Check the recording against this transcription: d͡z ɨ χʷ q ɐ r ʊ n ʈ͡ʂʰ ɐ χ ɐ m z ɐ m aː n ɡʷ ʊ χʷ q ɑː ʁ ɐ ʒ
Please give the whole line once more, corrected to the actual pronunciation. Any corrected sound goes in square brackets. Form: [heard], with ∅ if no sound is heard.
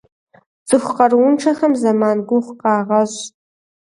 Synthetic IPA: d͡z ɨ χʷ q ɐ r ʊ n ʈ͡ʂʰ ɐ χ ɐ m z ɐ m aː n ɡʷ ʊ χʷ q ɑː ʁ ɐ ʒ